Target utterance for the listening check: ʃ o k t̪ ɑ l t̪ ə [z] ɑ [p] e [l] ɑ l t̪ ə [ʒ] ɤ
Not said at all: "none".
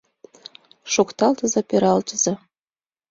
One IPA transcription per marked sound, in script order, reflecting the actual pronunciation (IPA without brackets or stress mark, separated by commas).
z, p, ɾ, z